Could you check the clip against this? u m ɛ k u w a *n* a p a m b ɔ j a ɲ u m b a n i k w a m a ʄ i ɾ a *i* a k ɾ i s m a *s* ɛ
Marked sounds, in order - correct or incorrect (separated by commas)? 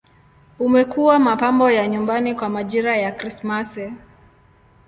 incorrect, incorrect, correct